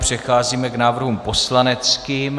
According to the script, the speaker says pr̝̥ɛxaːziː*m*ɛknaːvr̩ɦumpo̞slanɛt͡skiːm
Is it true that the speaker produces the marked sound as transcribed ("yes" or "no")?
yes